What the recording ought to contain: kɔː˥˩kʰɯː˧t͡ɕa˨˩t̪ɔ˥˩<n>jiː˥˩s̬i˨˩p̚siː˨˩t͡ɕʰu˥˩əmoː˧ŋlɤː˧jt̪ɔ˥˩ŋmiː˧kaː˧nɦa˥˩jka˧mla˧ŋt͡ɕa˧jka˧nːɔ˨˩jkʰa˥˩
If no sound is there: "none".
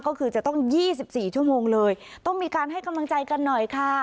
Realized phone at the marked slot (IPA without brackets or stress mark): ŋ